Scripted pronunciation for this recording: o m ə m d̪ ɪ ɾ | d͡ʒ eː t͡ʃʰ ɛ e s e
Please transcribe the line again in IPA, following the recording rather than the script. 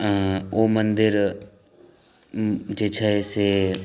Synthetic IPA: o m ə n d̪ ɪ ɾ | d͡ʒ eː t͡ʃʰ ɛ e s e